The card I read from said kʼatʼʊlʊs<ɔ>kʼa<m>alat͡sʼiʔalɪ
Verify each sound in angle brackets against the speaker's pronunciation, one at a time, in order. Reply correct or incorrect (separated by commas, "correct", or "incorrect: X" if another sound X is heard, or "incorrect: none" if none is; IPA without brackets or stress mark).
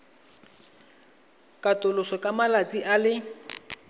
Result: correct, correct